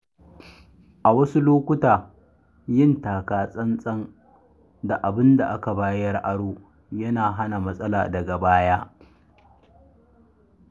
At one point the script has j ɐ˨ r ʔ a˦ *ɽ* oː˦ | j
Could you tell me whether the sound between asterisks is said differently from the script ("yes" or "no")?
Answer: no